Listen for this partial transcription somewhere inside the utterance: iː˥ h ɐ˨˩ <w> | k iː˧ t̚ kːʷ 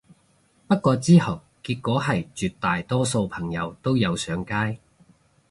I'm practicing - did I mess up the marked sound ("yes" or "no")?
no